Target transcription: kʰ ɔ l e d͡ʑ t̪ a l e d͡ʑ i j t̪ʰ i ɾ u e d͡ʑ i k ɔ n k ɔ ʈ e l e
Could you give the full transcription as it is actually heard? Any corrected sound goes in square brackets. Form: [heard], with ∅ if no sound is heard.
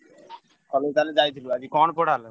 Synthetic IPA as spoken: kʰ ɔ l e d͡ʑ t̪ a l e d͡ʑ [a] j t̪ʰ i [l] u [a] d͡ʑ i k ɔ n [p] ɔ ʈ [a] l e